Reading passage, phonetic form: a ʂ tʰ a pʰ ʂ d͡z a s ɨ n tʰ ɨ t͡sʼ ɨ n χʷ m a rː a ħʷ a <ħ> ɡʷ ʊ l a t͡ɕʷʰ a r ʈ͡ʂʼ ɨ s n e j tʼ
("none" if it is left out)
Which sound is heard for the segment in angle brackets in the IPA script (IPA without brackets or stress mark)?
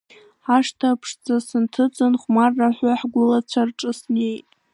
ħ